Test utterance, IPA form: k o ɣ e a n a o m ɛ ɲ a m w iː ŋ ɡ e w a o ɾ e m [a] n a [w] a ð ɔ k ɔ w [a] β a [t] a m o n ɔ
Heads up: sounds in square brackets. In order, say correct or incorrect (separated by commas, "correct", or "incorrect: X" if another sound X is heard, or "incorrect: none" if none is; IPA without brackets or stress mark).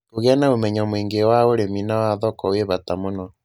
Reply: incorrect: i, correct, incorrect: e, correct